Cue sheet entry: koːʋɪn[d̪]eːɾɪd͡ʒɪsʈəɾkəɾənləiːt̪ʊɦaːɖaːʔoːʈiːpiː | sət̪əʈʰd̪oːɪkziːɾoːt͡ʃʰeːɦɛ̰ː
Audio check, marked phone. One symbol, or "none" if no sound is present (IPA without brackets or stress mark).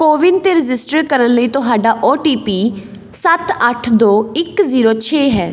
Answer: t̪